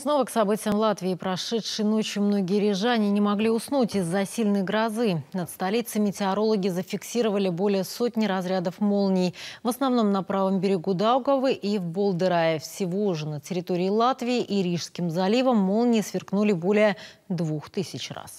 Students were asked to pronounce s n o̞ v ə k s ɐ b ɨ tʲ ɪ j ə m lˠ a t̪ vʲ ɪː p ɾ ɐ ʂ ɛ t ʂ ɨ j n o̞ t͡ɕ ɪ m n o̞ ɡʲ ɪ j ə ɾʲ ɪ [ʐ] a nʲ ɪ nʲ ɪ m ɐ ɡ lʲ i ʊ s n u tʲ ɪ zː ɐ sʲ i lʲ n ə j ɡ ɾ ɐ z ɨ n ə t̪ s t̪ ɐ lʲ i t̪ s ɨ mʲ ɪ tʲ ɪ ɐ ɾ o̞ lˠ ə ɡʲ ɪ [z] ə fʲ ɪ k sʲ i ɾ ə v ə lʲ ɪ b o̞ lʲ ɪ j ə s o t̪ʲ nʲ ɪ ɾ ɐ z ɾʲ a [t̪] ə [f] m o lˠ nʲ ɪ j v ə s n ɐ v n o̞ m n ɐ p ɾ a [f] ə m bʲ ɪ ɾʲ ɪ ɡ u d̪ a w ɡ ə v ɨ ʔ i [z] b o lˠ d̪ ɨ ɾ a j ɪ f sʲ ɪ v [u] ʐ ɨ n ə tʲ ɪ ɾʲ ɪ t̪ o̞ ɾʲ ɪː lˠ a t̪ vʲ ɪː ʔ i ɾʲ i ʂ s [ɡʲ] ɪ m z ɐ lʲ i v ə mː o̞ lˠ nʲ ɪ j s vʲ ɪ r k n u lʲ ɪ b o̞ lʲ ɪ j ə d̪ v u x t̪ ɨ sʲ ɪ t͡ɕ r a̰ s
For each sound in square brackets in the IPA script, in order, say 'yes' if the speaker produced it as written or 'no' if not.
yes, yes, no, yes, no, no, no, no

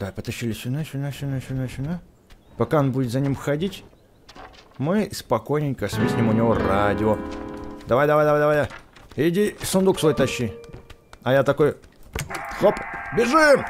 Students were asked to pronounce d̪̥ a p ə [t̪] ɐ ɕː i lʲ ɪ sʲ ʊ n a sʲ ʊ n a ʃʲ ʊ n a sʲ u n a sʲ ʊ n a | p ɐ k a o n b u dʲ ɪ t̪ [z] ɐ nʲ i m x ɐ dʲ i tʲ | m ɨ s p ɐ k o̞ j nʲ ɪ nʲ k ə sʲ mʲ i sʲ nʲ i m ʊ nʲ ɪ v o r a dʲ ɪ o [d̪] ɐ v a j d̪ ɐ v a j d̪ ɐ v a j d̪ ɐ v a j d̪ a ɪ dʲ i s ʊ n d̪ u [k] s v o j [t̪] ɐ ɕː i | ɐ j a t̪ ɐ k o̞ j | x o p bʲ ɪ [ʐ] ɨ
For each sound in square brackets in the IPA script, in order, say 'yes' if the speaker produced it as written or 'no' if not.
yes, yes, yes, yes, yes, yes

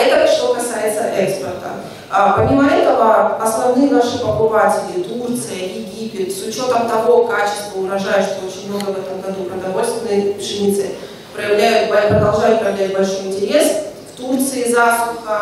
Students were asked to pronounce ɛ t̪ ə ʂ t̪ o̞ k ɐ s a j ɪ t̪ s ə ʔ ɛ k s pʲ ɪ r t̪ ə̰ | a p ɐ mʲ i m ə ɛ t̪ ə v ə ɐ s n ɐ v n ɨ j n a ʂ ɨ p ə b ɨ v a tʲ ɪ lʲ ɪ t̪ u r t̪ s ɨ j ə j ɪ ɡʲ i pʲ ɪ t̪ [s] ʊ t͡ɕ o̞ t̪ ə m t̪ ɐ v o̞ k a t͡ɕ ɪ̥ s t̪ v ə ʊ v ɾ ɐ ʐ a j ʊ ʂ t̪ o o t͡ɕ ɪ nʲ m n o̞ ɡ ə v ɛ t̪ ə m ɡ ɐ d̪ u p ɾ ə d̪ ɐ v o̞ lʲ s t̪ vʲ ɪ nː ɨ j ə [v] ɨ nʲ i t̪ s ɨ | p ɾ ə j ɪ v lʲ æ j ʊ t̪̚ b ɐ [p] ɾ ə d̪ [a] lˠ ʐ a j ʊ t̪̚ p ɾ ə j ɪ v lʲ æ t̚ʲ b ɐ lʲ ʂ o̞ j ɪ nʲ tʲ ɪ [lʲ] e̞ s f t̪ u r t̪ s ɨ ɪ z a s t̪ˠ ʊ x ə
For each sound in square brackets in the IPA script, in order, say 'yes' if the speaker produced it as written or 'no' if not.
yes, no, yes, no, no

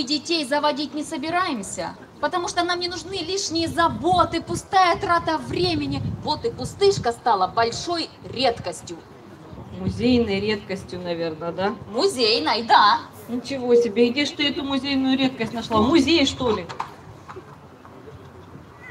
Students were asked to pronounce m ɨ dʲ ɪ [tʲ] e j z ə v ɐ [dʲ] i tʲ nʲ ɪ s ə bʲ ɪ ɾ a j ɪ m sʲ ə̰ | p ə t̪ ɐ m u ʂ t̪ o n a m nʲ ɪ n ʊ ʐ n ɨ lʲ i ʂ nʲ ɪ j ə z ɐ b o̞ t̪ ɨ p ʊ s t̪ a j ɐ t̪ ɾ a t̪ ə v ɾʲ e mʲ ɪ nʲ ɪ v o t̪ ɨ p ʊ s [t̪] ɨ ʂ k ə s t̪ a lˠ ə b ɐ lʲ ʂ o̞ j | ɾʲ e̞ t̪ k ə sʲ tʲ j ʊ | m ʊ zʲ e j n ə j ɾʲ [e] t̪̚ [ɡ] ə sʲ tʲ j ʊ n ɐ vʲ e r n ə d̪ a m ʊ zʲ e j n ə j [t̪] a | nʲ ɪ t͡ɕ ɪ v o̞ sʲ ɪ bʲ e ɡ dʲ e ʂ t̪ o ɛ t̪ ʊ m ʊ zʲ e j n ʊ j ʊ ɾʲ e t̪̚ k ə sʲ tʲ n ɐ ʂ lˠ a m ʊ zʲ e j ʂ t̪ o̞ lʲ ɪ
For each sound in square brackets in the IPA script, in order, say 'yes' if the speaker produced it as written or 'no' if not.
yes, yes, yes, yes, no, no

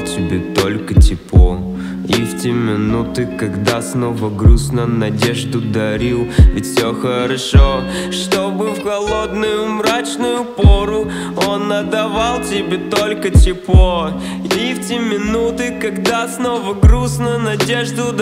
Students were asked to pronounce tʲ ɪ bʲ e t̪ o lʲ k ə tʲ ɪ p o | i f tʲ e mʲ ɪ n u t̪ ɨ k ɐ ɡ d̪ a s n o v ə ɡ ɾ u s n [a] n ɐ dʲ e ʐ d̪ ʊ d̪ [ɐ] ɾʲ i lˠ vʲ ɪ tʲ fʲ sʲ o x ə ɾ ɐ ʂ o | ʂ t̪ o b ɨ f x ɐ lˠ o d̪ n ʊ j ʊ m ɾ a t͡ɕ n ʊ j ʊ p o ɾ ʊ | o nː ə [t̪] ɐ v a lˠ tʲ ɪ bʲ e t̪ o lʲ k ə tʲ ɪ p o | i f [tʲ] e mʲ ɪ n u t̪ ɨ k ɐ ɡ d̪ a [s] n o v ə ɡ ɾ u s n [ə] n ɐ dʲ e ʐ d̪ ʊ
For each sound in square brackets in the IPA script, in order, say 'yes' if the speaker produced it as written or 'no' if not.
no, yes, no, yes, yes, yes

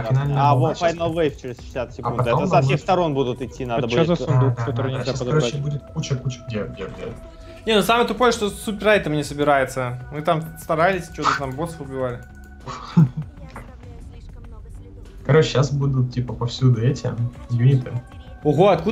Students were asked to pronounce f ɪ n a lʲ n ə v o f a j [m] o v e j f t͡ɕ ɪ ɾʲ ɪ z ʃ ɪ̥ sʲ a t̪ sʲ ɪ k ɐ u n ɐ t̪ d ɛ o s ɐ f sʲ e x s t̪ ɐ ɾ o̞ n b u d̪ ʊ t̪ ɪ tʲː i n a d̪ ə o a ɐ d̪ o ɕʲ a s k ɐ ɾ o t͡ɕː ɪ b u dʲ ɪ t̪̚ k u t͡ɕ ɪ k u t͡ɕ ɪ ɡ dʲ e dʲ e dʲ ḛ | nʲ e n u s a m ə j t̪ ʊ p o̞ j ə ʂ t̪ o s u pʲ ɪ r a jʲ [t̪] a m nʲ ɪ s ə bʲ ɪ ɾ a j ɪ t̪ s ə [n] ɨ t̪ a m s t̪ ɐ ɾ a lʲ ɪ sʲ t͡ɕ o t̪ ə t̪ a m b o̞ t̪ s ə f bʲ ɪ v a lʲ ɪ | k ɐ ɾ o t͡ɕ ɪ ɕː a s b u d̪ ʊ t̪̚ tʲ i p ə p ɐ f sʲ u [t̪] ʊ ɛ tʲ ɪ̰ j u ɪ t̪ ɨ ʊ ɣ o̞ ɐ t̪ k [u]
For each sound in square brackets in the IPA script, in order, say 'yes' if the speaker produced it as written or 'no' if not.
no, yes, no, no, yes

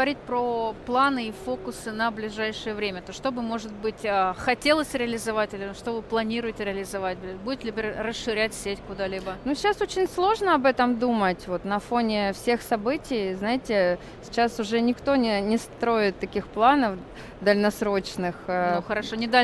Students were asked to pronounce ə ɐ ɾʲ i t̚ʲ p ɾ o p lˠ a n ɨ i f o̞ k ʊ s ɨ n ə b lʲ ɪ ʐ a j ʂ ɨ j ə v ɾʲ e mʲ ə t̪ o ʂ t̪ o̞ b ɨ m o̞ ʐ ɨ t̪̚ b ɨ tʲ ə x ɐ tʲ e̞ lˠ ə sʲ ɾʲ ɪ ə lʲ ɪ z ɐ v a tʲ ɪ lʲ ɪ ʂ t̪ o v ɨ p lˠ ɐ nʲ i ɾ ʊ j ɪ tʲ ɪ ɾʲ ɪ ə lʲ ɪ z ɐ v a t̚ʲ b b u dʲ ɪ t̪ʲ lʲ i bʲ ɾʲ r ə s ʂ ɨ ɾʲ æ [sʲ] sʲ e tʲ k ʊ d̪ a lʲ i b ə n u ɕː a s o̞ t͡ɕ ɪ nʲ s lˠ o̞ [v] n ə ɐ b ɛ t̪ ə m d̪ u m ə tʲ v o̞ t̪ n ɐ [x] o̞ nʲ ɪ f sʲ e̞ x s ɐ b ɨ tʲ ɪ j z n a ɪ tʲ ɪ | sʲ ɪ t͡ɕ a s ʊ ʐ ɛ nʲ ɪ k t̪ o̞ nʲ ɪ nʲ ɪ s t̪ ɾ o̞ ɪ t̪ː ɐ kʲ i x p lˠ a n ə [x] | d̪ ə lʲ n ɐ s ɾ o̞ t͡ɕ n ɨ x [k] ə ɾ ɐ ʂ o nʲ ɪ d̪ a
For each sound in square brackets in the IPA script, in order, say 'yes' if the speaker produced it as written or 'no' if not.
no, no, no, no, no

